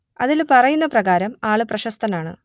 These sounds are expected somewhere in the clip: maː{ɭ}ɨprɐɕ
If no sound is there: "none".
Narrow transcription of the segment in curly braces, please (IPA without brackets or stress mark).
ɭ